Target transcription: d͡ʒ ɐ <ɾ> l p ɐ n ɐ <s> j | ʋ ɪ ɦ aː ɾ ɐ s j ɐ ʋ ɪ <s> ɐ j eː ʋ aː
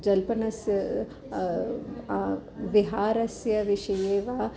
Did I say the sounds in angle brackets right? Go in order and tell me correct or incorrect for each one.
incorrect: none, correct, incorrect: ʃ

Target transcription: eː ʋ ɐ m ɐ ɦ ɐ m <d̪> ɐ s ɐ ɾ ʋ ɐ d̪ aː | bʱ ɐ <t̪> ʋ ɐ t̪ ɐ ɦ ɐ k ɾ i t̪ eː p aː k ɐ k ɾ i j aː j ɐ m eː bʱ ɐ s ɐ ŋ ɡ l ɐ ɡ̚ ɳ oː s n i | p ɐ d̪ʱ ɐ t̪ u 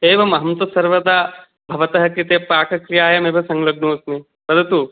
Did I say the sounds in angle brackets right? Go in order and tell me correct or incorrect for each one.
incorrect: t̪, incorrect: none

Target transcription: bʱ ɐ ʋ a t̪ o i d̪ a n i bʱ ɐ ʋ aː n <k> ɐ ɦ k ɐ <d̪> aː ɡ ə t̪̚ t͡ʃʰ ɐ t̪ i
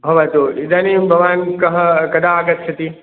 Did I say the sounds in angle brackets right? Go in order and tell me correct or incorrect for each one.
correct, correct

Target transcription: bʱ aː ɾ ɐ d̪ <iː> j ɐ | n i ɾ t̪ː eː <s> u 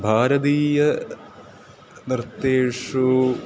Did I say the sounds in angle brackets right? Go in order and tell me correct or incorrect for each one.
correct, incorrect: ʂ

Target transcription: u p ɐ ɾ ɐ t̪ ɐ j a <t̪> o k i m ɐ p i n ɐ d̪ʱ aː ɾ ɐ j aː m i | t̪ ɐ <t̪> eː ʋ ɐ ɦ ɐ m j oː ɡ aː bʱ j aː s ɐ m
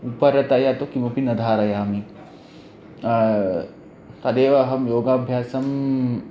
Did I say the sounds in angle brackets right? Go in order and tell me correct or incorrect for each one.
correct, incorrect: d̪

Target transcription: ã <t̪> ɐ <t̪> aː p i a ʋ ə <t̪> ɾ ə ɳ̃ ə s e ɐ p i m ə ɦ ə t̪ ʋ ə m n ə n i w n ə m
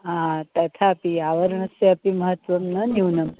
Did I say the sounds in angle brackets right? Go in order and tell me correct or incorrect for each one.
correct, incorrect: t̪ʰ, incorrect: none

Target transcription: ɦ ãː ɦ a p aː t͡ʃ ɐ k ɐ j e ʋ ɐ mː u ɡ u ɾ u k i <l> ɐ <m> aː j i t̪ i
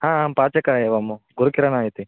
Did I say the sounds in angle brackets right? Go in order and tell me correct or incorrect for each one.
incorrect: ɾ, incorrect: n

